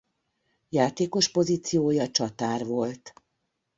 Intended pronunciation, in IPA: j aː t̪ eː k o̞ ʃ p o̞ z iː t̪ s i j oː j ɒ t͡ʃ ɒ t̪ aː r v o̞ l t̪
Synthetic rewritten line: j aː t̪ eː k o̞ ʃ p o̞ z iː t̪ s i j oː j ɒ t͡ʃ ɒ t̪ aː r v o̞ l t̪